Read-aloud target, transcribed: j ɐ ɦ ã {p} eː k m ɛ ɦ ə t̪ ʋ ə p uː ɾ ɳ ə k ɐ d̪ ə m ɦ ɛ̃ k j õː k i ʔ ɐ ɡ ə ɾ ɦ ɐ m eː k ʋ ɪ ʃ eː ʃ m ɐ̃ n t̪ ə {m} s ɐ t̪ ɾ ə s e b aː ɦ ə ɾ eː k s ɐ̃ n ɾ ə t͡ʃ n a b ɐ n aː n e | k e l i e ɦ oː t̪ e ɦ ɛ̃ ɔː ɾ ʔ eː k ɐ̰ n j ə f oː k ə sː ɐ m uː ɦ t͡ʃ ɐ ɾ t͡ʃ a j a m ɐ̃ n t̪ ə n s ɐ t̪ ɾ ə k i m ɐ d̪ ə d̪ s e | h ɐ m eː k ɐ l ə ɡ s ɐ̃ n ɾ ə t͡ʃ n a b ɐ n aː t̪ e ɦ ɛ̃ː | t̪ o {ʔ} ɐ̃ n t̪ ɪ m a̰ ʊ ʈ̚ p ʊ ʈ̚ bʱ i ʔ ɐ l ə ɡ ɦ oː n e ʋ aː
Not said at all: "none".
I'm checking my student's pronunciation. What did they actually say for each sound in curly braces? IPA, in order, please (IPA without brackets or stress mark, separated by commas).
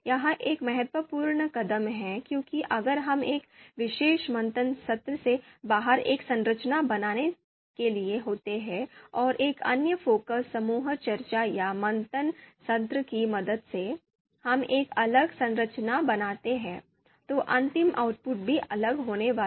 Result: ʔ, n, ʔ